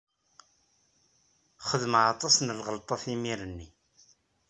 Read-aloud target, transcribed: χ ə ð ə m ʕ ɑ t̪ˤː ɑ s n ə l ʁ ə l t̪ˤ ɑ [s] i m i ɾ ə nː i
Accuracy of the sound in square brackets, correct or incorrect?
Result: incorrect